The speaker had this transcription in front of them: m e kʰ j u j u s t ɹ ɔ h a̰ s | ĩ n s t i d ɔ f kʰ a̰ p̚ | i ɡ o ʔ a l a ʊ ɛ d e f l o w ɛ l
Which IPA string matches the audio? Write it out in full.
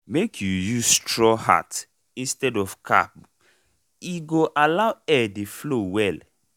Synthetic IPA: m e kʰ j u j u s t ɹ ɔ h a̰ t | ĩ n s t ɛ d ɔ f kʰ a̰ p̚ | i ɡ o ʔ a l a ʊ ɛ d e f l o w ɛ l